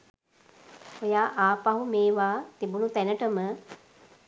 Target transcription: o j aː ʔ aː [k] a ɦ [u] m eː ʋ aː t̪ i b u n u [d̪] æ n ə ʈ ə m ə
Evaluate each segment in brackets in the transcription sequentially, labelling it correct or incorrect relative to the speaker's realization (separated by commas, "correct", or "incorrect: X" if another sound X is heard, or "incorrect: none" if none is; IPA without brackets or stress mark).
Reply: incorrect: p, correct, incorrect: t̪